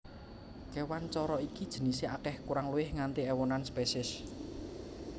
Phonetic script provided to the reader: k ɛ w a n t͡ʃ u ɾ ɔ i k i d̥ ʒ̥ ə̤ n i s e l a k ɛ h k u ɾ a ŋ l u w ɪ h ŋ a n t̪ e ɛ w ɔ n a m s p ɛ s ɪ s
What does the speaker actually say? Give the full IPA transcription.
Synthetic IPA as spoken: k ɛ w a n t͡ʃ ɔ ɾ ɔ i k i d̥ ʒ̥ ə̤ n i s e a k ɛ h k u ɾ a ŋ l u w ɪ h ŋ a n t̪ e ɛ w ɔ n a n s p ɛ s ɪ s